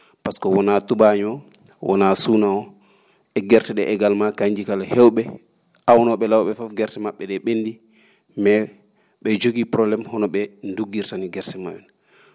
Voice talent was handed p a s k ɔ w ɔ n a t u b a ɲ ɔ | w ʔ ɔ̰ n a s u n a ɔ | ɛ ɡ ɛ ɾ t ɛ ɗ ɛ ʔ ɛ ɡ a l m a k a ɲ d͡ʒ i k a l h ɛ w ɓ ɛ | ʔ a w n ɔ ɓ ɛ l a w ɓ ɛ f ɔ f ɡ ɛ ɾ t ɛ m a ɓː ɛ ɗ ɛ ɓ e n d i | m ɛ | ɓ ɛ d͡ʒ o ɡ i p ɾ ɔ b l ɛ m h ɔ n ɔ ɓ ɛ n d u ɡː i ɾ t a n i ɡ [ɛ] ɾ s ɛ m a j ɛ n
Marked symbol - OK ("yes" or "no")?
yes